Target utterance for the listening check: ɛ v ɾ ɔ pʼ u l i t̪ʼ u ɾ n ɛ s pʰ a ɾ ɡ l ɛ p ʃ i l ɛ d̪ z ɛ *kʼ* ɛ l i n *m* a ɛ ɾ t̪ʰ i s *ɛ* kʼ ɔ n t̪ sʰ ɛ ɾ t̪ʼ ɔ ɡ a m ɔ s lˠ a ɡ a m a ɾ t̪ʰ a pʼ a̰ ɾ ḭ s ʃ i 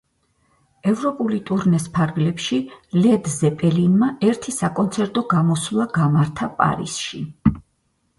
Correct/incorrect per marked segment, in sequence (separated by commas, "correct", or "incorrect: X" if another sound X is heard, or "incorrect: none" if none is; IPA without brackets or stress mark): incorrect: pʼ, correct, incorrect: a